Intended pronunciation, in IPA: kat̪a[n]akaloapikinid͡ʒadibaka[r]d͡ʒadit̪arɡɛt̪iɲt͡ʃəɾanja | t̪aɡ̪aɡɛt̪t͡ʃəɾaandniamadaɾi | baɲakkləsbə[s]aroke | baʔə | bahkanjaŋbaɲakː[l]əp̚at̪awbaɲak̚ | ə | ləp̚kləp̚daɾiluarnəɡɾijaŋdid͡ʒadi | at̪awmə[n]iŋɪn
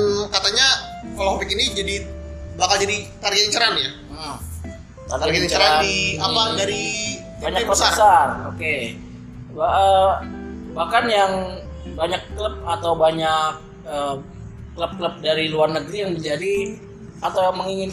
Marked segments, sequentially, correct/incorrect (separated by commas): incorrect, incorrect, correct, correct, incorrect